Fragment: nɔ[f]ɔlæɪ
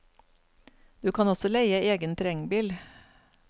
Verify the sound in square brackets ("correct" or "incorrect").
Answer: incorrect